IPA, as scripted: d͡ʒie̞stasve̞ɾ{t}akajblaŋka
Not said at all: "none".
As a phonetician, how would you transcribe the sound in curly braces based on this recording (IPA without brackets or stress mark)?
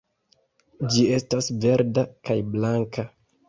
d